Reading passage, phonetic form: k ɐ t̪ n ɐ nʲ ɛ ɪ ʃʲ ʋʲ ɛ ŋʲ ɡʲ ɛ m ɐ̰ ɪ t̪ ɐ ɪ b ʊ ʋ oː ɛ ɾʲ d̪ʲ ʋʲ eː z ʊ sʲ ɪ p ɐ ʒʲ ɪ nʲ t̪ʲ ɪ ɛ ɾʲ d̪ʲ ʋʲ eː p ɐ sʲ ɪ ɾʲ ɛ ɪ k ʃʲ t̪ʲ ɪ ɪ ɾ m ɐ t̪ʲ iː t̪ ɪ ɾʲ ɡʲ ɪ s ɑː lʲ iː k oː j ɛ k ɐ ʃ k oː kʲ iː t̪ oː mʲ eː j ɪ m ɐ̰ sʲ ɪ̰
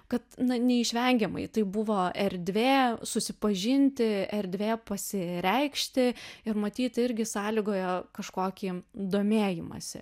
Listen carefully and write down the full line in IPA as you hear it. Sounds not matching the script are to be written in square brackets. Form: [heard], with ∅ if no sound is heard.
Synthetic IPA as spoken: k ɐ t̪ n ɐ nʲ ɛ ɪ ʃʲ ʋʲ ɛ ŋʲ ɡʲ ɛ m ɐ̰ ɪ t̪ ɐ ɪ b ʊ ʋ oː ɛ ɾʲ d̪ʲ ʋʲ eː [s] ʊ sʲ ɪ p ɐ ʒʲ ɪ nʲ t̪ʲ ɪ ɛ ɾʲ d̪ʲ ʋʲ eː p ɐ sʲ ɪ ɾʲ ɛ ɪ k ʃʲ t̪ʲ ɪ ɪ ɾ m ɐ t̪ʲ iː t̪ ɪ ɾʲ ɡʲ ɪ s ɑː lʲ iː [ɡ] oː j ɛ k ɐ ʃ k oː kʲ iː [d̪] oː mʲ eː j ɪ m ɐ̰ sʲ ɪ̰